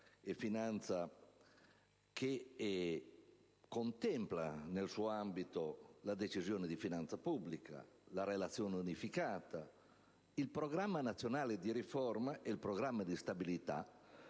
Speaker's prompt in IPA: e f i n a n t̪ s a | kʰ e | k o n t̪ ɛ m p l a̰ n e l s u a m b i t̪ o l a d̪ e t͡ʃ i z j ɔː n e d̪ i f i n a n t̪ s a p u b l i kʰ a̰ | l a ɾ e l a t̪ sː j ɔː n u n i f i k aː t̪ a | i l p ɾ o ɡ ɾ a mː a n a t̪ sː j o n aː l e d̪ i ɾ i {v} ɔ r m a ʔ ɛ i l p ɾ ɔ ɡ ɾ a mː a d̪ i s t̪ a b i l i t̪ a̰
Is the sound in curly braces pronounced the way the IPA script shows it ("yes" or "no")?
no